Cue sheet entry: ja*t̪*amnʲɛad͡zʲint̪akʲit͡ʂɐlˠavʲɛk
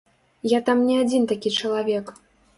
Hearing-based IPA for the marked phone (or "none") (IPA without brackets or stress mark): t̪